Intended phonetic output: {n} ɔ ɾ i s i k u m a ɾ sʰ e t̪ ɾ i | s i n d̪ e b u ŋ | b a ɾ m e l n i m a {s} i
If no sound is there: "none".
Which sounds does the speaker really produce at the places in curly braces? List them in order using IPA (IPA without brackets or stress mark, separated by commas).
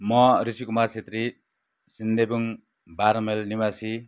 m, s